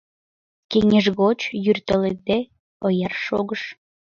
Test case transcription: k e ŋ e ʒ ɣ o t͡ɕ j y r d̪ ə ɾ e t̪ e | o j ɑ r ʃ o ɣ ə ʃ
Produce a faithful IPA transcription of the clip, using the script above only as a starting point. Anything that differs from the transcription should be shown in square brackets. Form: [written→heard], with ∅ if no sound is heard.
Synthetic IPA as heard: k e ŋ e ʒ ɣ o t͡ɕ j y r [d̪→t̪] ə [ɾ→l] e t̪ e | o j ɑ r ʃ o ɣ ə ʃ